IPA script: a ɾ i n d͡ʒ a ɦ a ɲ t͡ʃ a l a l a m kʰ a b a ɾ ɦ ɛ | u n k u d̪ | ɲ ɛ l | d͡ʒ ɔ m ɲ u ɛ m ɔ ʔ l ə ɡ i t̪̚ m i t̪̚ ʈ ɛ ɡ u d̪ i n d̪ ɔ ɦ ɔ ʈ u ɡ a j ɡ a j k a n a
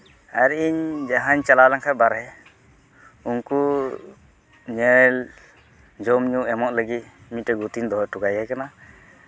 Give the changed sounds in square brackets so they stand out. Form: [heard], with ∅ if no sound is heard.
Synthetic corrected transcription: a ɾ i [ɲ] d͡ʒ a ɦ a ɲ t͡ʃ a l a l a [ŋ] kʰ a b a ɾ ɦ ɛ | u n k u [∅] | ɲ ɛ l | d͡ʒ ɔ m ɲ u ɛ m ɔ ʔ l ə ɡ i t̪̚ m i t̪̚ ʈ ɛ ɡ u [t̪] i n d̪ ɔ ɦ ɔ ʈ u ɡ a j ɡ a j k a n a